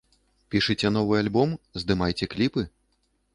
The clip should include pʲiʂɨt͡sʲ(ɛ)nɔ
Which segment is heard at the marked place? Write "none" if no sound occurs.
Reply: ɛ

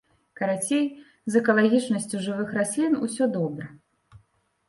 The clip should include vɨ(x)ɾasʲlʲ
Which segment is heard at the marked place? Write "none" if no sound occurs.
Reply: x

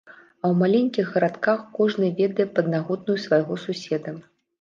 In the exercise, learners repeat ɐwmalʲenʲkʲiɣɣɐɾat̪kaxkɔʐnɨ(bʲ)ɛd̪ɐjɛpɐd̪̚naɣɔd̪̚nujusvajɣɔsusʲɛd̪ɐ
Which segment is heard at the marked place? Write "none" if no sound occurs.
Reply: vʲ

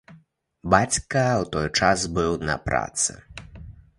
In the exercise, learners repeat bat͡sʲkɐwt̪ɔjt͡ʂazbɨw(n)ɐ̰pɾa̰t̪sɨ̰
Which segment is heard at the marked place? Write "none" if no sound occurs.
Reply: n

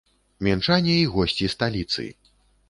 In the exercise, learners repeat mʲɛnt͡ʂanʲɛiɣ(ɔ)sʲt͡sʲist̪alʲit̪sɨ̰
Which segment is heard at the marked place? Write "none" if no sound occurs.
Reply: ɔ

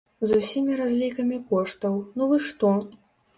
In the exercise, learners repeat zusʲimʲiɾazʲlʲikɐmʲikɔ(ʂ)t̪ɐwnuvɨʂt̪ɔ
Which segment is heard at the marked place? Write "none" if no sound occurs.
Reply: ʂ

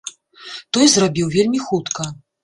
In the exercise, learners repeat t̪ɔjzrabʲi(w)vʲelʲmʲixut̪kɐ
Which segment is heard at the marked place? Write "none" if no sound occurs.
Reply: w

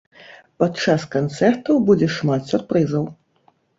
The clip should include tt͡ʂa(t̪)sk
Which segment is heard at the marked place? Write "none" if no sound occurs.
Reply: none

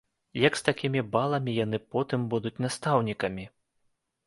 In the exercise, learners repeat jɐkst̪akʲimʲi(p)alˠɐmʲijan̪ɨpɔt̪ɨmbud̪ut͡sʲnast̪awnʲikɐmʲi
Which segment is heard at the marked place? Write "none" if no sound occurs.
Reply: b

